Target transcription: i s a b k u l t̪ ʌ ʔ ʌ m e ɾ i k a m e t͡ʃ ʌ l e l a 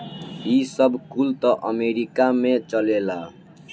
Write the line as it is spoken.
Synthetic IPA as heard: i s ʌ b k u l t̪ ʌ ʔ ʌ m e ɾ i k a m e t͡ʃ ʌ l e l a